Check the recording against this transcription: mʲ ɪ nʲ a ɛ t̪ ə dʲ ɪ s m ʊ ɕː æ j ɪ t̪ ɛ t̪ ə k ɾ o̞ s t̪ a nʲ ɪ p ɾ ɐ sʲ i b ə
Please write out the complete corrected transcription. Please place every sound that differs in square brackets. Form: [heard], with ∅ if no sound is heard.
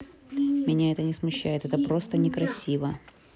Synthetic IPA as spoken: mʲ ɪ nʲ a ɛ t̪ ə [nʲ] ɪ s m ʊ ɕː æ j ɪ t̪ ɛ t̪ ə [p] ɾ o̞ s t̪ [ə] nʲ ɪ [k] ɾ ɐ sʲ i [v] ə